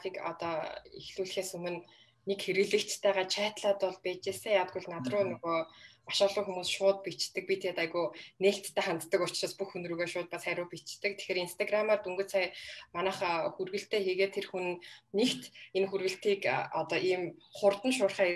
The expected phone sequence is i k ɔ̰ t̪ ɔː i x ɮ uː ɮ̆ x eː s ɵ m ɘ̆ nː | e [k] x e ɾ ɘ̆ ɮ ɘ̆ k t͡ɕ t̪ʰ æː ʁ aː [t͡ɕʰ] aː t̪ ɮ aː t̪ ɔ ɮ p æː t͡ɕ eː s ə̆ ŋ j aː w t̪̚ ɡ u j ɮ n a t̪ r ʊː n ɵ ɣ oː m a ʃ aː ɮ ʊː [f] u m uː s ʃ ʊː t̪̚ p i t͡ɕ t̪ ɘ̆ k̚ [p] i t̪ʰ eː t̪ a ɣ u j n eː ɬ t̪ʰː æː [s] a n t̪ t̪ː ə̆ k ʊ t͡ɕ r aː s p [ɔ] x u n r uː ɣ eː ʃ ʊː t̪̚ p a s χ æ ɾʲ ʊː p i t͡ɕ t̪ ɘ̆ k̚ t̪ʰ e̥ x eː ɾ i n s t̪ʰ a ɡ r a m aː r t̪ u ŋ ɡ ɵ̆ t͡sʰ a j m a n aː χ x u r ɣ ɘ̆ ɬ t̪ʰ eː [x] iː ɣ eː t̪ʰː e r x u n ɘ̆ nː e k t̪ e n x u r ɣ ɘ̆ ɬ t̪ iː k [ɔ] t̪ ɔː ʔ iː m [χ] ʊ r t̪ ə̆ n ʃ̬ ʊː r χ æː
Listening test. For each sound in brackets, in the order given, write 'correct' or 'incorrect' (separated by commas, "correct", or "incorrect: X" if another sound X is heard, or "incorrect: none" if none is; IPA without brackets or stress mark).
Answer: correct, correct, incorrect: x, correct, incorrect: χ, incorrect: u, correct, correct, correct